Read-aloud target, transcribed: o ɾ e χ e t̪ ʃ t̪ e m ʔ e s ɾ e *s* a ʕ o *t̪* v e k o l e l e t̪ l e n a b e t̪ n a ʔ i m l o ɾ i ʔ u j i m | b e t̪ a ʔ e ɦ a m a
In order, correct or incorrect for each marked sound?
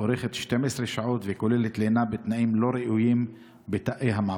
incorrect: ʃ, correct

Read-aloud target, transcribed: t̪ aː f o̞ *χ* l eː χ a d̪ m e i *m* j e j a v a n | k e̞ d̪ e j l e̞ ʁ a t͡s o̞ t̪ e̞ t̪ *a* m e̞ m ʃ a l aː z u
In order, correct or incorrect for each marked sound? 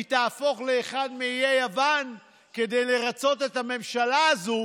correct, incorrect: none, correct

